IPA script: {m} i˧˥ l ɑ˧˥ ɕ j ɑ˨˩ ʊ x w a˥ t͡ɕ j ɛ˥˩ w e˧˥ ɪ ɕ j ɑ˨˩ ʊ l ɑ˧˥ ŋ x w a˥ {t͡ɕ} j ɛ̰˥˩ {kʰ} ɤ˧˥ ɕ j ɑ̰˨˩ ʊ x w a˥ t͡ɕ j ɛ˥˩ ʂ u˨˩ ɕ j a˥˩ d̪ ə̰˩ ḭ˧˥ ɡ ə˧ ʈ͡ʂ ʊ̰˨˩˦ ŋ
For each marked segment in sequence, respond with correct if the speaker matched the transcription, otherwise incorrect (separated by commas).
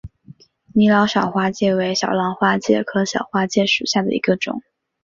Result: incorrect, correct, correct